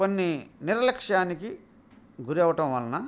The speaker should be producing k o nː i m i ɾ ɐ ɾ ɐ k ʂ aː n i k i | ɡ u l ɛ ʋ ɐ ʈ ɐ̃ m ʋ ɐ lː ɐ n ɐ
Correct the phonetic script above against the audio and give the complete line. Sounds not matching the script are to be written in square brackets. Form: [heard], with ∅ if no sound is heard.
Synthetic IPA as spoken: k o nː i [n] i ɾ ɐ [l] ɐ k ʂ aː n i k i | ɡ u [ɾ] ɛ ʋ ɐ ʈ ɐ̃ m ʋ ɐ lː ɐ n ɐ